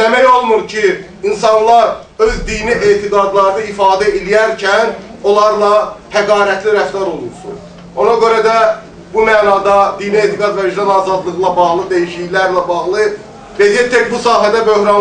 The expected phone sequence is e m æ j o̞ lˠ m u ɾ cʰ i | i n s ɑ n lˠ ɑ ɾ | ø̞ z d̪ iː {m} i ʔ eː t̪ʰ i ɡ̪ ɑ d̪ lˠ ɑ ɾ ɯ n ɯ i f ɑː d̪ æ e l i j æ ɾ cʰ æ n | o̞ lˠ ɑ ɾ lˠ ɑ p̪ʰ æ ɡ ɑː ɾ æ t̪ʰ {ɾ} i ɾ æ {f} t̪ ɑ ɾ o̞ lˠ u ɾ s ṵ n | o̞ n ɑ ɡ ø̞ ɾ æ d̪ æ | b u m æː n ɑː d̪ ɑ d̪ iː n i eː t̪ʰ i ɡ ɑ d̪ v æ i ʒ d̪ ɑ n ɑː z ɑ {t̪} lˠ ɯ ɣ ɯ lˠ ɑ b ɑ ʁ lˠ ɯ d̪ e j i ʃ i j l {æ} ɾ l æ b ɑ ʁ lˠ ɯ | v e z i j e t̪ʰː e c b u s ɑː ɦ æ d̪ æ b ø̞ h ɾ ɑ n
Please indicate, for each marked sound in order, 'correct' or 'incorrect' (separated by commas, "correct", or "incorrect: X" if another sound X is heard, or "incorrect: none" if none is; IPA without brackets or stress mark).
incorrect: n, incorrect: l, correct, incorrect: d̪, correct